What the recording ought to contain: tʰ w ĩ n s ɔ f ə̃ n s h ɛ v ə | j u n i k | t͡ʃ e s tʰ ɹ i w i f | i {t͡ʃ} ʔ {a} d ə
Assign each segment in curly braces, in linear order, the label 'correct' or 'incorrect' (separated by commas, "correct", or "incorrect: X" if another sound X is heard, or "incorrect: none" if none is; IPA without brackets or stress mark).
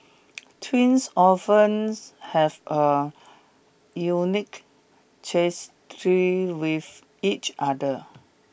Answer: correct, correct